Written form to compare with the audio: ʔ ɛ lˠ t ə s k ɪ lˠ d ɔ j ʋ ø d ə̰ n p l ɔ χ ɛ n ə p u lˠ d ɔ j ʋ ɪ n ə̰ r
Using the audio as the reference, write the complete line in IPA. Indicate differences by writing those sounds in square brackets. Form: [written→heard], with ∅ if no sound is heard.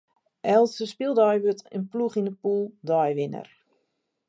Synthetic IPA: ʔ ɛ lˠ [t→s] ə s [k→p] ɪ lˠ d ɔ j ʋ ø [d→t] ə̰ n p l [ɔ→u] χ [ɛ→i] n ə p u lˠ d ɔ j ʋ ɪ n ə̰ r